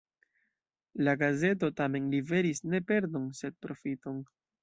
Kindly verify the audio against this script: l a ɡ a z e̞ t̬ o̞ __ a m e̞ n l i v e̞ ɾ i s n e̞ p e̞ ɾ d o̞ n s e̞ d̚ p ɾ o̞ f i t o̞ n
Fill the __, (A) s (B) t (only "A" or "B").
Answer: B